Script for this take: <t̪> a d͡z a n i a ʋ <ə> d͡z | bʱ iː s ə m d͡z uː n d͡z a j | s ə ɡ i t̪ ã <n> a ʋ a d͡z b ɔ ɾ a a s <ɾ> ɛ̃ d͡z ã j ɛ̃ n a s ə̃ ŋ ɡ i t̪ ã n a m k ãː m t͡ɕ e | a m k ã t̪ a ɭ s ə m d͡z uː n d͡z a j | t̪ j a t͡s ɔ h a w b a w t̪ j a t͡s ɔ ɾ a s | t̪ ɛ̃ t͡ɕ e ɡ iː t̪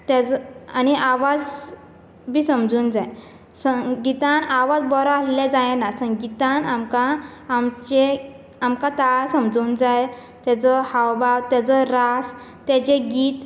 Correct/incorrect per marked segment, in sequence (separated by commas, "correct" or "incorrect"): correct, incorrect, correct, incorrect